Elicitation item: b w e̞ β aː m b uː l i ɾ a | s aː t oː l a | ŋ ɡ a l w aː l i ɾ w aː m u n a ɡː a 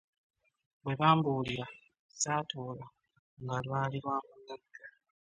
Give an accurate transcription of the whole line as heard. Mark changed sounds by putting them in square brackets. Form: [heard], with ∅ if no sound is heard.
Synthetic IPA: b w e̞ β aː m b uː l i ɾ a | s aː t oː l a | ŋ ɡ a l w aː l i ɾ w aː m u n a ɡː a